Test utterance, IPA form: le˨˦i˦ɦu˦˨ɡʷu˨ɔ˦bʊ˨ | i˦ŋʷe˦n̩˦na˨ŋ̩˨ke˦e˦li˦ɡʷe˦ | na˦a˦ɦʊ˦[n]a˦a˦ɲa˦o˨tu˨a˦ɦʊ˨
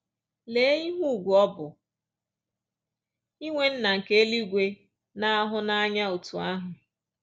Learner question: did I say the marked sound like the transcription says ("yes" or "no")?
yes